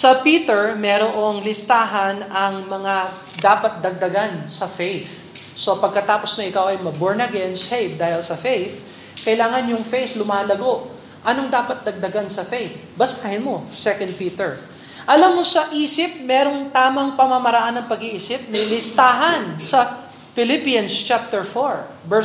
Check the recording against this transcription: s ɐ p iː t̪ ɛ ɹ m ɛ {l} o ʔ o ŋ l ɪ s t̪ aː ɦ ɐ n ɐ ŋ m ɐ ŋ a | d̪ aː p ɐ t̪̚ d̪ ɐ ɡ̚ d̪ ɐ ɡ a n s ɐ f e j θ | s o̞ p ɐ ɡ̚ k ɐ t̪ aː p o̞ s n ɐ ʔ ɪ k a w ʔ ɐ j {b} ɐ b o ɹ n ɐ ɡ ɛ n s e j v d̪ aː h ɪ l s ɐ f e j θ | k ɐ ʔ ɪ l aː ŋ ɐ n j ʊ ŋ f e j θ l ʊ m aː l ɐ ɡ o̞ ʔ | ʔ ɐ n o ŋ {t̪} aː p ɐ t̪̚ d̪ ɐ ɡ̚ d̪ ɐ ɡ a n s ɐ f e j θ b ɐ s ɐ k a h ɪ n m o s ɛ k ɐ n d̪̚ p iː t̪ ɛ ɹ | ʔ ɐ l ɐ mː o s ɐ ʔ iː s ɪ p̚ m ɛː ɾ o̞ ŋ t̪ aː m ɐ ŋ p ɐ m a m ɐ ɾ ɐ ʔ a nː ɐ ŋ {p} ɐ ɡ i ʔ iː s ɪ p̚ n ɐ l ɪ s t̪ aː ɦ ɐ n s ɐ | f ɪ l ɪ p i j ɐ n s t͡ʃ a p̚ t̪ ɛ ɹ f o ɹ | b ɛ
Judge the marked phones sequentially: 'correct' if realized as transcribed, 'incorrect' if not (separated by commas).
incorrect, incorrect, incorrect, correct